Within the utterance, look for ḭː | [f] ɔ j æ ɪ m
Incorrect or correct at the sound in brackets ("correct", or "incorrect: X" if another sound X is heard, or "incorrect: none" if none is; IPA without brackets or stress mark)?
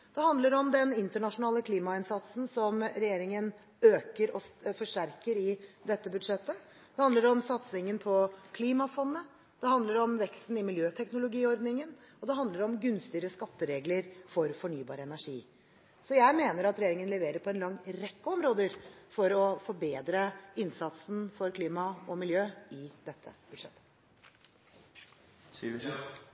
incorrect: s